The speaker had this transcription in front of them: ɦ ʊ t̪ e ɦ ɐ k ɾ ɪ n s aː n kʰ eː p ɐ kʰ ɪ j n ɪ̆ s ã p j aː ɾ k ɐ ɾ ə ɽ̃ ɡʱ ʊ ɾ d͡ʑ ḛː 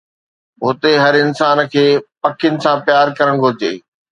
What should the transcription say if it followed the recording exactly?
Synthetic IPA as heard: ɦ ʊ t̪ e ɦ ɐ ɾ ɪ n s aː n kʰ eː p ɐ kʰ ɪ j n ɪ̆ s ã p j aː ɾ k ɐ ɾ ə ɽ̃ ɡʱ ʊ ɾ d͡ʑ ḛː